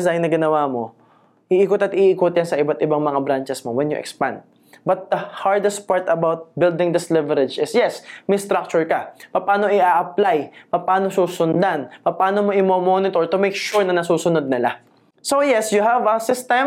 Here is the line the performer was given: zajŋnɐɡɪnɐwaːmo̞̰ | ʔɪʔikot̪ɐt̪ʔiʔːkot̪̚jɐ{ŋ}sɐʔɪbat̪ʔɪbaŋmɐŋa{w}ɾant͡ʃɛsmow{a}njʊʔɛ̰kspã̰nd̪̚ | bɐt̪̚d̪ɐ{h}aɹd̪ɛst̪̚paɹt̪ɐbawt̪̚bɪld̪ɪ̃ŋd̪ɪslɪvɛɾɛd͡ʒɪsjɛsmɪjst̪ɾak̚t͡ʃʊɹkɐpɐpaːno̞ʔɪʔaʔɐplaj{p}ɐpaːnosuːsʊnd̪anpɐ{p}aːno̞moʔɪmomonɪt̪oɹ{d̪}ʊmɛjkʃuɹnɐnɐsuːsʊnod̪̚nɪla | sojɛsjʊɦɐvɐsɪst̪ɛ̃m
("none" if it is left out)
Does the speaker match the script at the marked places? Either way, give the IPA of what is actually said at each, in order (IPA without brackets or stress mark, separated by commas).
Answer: n, b, ɛ, h, p, p, t̪